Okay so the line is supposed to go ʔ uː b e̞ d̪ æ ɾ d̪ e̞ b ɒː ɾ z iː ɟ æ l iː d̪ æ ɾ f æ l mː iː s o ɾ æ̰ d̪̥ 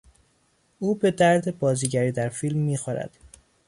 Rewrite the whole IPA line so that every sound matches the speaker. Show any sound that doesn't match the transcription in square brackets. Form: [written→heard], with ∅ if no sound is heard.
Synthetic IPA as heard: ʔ uː b e̞ d̪ æ ɾ d̪ e̞ b ɒː [ɾ→∅] z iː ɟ æ [l→ɾ] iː d̪ æ ɾ f [æ→i] l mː iː [s→x] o ɾ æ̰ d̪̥